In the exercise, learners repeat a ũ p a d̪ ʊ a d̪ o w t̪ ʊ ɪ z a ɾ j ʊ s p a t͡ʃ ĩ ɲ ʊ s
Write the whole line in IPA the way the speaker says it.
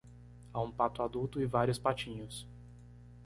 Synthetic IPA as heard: a ũ p a t̪ ʊ a d̪ u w t̪ ʊ ɪ v a ɾ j ʊ s p a t͡ʃ ĩ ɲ ʊ s